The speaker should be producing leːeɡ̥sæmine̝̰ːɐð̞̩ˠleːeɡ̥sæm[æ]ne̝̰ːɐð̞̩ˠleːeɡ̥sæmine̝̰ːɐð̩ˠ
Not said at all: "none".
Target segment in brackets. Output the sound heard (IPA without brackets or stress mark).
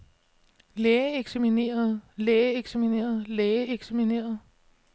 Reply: i